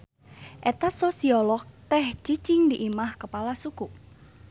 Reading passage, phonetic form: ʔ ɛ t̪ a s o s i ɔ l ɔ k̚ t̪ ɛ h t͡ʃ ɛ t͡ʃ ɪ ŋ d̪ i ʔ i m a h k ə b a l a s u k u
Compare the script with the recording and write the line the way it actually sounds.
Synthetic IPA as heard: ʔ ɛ t̪ a s o s i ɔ l ɔ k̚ t̪ ɛ h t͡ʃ i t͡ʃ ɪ ŋ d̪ i ʔ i m a h k ə p a l a s u k u